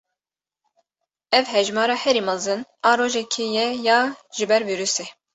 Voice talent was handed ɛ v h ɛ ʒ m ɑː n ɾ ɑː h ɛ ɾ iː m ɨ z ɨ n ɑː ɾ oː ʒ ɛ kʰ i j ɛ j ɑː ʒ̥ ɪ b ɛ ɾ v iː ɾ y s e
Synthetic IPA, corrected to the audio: ɛ v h ɛ ʒ m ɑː ɾ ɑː h ɛ ɾ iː m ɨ z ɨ n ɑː ɾ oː ʒ ɛ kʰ i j ɛ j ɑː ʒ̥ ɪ b ɛ ɾ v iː ɾ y s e